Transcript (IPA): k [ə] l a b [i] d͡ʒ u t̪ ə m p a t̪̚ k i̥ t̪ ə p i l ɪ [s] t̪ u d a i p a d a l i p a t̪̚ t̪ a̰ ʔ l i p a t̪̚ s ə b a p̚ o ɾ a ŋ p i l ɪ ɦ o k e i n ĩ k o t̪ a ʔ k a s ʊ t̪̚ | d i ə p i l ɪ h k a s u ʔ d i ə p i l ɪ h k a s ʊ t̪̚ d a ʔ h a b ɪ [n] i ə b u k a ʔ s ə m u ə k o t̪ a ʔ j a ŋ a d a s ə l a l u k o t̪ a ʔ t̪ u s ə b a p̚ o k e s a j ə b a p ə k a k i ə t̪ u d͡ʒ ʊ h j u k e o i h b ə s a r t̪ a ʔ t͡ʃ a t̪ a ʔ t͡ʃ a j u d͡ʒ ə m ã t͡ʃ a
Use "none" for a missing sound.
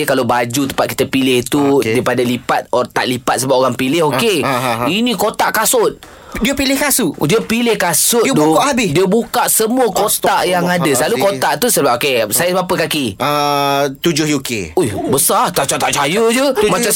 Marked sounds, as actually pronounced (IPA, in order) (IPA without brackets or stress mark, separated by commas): a, a, h, d